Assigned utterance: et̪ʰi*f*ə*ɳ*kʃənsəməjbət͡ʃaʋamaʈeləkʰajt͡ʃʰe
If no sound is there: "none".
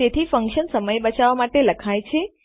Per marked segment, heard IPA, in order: f, ŋ

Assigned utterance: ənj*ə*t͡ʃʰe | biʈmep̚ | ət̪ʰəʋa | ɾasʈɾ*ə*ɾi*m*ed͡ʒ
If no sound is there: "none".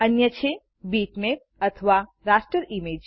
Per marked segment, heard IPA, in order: ə, ə, m

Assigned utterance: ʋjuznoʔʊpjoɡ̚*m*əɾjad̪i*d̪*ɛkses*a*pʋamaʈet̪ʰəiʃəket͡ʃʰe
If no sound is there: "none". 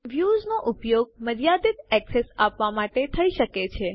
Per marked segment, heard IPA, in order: m, t̪, a

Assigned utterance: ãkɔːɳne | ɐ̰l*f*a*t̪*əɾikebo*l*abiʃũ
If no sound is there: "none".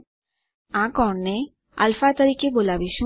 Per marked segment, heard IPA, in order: f, t̪, l

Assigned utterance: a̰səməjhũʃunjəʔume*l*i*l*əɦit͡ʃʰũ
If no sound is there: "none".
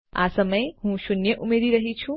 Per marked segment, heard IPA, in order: ɾ, ɾ

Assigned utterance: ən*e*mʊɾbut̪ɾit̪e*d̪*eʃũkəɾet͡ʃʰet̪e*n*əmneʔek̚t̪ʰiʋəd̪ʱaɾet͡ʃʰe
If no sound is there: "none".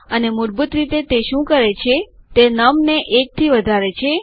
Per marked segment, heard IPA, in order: e, t̪, n

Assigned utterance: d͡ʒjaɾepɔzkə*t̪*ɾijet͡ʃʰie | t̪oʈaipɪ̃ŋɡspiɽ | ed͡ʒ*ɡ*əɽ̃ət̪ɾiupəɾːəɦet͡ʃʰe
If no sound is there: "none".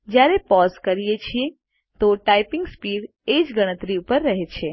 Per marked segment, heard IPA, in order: none, ɡ

